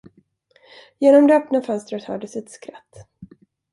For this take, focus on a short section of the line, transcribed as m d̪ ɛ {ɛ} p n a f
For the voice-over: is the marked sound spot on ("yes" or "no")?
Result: no